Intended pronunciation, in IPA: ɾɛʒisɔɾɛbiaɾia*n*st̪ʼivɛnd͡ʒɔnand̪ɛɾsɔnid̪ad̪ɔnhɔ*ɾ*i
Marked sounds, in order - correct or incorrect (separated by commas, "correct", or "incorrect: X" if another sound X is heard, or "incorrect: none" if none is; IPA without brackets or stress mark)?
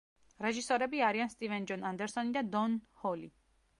correct, incorrect: l